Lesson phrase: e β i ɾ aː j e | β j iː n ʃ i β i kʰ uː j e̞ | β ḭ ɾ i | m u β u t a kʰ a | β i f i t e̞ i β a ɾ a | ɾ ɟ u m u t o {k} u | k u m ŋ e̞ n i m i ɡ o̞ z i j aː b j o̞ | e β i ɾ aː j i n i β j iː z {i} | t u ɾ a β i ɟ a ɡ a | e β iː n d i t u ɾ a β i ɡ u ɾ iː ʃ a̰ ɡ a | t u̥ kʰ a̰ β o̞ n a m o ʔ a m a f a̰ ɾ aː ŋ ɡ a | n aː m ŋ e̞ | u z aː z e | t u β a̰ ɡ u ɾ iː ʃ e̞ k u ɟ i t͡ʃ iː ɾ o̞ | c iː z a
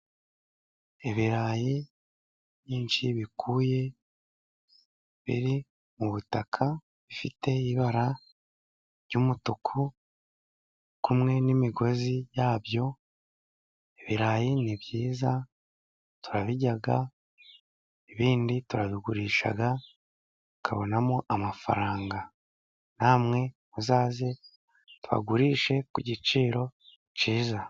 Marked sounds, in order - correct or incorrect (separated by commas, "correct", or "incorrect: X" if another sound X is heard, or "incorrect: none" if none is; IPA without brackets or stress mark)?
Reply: incorrect: kʰ, incorrect: a